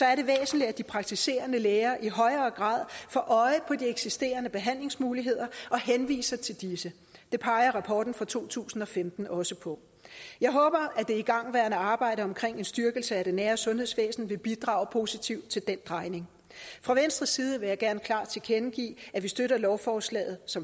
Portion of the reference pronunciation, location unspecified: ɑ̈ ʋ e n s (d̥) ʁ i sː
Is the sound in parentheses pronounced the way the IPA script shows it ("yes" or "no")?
yes